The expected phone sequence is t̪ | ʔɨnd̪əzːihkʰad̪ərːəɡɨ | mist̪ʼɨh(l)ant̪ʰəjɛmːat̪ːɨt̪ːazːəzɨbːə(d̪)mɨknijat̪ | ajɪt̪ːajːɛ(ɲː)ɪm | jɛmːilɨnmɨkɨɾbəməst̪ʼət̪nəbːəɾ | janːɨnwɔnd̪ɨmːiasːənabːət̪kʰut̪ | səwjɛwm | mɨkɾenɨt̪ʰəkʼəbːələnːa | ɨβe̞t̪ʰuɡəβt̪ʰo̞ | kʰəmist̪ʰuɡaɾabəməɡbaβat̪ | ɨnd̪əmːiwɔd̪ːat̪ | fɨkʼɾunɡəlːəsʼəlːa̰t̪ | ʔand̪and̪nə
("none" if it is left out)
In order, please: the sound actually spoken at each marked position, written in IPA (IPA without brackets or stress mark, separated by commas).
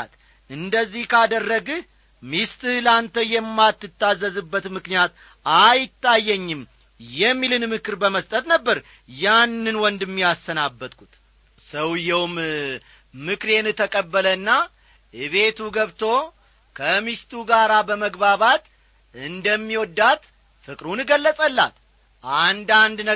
l, t̪, ɲː